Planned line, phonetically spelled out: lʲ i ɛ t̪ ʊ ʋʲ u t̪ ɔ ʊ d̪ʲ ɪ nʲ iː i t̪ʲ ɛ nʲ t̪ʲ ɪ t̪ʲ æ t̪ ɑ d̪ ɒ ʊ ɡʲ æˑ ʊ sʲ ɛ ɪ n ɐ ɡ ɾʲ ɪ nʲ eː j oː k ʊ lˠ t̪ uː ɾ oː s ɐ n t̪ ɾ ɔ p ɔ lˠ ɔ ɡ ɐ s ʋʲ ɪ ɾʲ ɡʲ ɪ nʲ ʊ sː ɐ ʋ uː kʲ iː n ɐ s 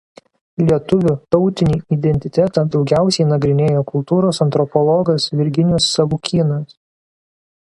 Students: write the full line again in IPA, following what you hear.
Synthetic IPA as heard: lʲ i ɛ t̪ ʊ ʋʲ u t̪ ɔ ʊ t̪ʲ ɪ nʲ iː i d̪ʲ ɛ nʲ t̪ʲ ɪ t̪ʲ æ t̪ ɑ d̪ ɒ ʊ ɡʲ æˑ ʊ sʲ ɛ ɪ n ɐ ɡ ɾʲ ɪ nʲ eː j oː k ʊ lˠ t̪ uː ɾ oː s ɐ n t̪ ɾ ɔ p ɔ lˠ ɔ ɡ ɐ s ʋʲ ɪ ɾʲ ɡʲ ɪ nʲ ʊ sː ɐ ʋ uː kʲ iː n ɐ s